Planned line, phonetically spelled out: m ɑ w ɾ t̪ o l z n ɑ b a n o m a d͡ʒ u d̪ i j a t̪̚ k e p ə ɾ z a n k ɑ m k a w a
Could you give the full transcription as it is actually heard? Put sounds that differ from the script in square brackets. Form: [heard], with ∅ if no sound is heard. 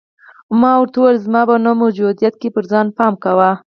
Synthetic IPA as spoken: m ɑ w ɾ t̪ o l z [m] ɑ b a n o m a d͡ʒ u d̪ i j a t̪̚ k e p ə ɾ z [ɑ] n [p] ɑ m k a w a